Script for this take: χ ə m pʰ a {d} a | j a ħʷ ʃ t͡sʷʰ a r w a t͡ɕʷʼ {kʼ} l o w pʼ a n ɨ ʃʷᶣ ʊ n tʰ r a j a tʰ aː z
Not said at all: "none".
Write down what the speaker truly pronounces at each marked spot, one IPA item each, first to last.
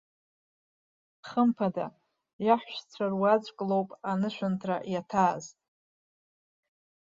d, kʼ

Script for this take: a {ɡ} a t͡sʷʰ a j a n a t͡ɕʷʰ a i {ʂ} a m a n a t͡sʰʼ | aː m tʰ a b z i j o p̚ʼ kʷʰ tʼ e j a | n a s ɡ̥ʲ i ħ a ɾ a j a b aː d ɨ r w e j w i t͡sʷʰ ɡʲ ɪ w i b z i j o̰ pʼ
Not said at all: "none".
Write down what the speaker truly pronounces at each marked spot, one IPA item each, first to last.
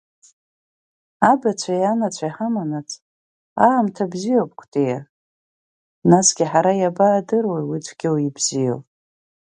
b, ħ

